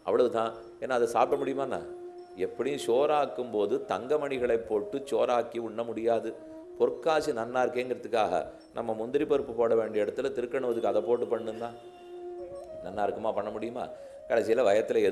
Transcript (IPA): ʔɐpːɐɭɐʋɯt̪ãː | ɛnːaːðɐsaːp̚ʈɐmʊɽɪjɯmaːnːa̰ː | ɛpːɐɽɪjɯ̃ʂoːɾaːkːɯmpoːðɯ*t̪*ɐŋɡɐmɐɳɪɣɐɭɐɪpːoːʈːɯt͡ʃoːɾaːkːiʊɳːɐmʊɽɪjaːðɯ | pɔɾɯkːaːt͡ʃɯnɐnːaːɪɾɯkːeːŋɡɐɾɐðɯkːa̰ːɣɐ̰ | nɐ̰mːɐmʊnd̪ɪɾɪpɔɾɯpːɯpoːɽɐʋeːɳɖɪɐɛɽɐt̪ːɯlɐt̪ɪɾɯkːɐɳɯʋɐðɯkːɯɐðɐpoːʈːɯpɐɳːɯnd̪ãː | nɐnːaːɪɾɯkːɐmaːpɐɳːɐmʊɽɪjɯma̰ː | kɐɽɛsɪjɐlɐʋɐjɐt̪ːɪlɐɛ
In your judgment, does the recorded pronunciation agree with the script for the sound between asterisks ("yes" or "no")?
yes